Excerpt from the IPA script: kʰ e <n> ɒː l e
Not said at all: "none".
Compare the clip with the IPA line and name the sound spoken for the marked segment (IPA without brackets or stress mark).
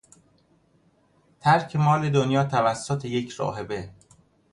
m